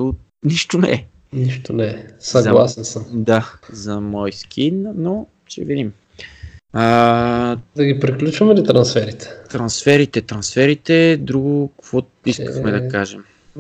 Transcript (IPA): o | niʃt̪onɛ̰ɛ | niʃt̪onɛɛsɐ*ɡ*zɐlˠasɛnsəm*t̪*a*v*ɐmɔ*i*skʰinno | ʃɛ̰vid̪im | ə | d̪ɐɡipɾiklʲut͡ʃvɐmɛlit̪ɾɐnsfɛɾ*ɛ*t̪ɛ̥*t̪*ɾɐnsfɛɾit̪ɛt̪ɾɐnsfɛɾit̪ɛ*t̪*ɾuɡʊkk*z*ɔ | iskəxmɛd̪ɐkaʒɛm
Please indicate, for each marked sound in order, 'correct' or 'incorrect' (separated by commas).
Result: correct, incorrect, incorrect, incorrect, incorrect, correct, incorrect, incorrect